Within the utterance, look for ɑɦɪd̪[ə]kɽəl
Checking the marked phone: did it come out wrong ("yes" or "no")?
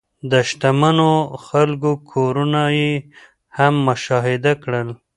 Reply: yes